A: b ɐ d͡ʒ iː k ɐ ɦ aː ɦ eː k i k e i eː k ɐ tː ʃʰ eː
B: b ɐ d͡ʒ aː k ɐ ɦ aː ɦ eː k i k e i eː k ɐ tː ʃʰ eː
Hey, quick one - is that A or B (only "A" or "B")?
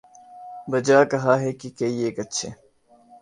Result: B